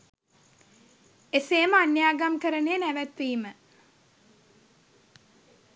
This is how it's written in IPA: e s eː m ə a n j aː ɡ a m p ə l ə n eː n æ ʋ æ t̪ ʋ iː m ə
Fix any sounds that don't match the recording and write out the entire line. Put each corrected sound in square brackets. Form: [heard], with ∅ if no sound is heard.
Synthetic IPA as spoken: e s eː m ə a n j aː ɡ a m [k] ə [ɾ] ə n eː n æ ʋ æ t̪ ʋ iː m ə